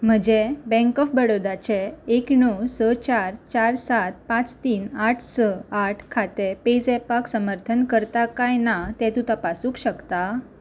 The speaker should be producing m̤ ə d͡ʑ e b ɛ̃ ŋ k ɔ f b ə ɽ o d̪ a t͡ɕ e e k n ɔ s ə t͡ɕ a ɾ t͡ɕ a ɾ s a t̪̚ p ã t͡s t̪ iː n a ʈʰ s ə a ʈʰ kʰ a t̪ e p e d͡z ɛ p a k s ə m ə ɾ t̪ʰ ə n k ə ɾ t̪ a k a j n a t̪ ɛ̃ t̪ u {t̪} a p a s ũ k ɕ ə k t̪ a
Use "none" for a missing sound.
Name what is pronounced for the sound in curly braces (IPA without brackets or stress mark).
t̪